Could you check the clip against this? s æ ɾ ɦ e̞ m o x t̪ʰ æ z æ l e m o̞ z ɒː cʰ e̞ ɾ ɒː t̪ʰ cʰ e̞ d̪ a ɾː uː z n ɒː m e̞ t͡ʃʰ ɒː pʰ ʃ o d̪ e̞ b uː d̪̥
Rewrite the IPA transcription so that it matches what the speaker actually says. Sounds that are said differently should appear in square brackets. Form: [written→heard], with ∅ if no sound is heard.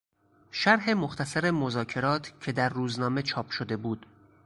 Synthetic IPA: [s→ʃ] æ ɾ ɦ e̞ m o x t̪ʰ æ [z→s] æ [l→ɾ] e m o̞ z ɒː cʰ e̞ ɾ ɒː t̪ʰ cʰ e̞ d̪ [a→æ] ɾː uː z n ɒː m e̞ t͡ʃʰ ɒː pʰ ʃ o d̪ e̞ b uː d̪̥